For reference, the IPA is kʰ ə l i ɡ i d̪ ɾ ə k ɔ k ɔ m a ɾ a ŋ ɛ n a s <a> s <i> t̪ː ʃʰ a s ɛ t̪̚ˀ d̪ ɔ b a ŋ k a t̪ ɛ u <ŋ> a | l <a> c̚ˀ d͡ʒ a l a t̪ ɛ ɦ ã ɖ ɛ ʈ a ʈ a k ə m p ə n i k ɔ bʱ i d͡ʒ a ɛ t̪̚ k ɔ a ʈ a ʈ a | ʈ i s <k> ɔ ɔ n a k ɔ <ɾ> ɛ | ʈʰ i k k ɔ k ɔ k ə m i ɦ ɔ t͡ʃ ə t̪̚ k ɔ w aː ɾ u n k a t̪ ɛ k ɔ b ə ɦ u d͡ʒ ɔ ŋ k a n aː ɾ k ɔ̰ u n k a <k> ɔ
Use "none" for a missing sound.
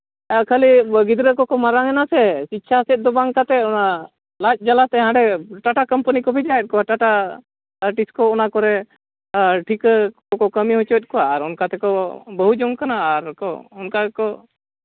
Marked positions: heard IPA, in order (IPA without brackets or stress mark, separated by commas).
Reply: ɛ, i, n, a, k, ɾ, k